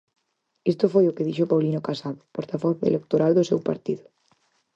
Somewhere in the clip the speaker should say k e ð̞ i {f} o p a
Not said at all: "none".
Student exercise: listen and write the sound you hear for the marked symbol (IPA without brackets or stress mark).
ʃ